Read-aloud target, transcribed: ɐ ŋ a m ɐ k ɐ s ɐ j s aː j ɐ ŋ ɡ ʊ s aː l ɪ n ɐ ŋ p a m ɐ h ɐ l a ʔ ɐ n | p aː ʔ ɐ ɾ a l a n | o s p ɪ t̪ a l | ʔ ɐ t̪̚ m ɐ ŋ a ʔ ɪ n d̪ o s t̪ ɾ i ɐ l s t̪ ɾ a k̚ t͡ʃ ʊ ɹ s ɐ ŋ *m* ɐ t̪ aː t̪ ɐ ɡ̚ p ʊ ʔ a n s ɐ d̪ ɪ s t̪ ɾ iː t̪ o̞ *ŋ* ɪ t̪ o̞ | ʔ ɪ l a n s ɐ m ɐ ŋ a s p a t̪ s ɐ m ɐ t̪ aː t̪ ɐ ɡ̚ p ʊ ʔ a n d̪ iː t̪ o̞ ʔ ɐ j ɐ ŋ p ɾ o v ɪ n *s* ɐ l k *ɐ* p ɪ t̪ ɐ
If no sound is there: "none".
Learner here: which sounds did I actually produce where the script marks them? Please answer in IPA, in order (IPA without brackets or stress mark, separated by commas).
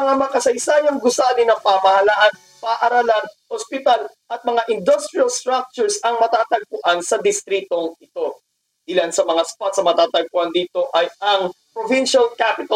m, ŋ, ʃ, a